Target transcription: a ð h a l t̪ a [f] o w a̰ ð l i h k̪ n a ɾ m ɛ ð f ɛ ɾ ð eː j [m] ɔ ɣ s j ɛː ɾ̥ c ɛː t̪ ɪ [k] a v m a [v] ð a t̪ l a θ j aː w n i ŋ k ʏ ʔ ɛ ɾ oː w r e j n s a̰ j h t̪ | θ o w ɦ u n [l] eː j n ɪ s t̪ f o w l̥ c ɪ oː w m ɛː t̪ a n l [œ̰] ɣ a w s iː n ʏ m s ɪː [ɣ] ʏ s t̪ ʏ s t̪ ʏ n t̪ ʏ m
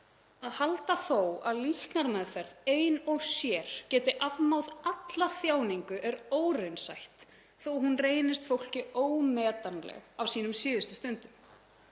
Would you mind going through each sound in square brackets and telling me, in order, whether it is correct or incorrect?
incorrect, incorrect, incorrect, incorrect, incorrect, incorrect, incorrect

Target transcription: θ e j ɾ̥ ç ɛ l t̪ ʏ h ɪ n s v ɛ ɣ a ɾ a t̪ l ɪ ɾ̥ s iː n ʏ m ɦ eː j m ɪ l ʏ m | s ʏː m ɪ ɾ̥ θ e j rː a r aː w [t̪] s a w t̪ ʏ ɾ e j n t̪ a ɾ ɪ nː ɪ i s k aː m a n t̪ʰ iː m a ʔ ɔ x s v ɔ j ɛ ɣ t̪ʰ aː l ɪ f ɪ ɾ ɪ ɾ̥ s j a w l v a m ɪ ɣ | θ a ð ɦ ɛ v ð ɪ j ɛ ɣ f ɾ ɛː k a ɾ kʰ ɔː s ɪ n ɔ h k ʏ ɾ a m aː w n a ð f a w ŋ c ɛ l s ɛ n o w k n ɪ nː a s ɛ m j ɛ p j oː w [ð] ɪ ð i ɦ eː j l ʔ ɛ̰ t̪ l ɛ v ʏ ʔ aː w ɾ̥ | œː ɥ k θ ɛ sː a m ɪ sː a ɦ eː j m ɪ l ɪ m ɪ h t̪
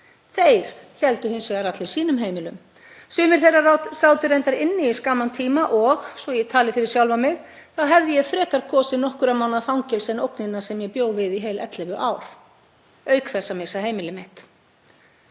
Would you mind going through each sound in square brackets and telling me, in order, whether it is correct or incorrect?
correct, incorrect

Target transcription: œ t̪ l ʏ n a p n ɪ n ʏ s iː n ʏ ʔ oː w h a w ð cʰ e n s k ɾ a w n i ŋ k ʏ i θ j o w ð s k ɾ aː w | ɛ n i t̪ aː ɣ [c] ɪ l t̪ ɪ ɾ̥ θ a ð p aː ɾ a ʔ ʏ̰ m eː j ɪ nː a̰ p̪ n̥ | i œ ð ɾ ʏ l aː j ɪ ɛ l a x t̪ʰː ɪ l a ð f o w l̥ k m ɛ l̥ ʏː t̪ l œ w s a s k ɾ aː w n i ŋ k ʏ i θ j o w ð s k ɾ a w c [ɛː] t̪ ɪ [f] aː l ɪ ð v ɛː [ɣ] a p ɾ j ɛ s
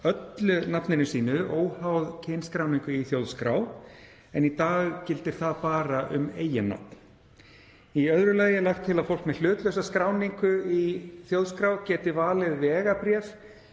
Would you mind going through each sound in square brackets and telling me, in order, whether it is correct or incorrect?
correct, correct, incorrect, correct

